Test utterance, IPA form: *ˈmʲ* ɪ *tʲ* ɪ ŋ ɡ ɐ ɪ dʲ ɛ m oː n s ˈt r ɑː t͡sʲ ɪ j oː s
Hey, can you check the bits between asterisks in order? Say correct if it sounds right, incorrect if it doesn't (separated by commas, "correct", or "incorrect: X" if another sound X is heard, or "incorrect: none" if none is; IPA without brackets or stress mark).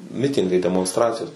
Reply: correct, correct